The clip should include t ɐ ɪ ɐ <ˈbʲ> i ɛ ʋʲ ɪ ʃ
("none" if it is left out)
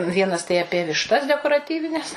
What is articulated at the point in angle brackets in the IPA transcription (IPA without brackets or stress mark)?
pʲ